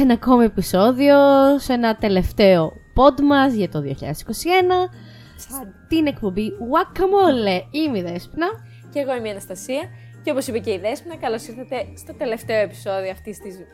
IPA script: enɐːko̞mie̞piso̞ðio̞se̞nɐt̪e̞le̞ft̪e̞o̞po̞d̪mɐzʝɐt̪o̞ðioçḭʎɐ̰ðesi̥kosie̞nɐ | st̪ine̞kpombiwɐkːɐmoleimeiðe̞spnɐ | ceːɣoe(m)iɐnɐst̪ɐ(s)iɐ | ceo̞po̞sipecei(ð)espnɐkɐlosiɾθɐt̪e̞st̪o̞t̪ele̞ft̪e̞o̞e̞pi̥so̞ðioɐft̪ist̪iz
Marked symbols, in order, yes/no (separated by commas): yes, yes, yes